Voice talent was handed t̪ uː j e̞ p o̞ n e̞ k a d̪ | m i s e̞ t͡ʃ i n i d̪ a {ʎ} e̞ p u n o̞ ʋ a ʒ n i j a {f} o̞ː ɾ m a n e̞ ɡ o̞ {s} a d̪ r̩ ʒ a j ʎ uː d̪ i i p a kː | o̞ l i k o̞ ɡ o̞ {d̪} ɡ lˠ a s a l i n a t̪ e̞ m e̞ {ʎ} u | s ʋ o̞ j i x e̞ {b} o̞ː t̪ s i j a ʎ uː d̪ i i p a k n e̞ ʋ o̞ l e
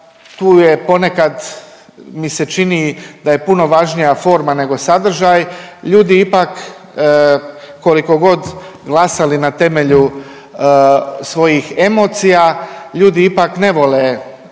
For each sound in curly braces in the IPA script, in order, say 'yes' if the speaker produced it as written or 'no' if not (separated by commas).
no, yes, yes, yes, yes, no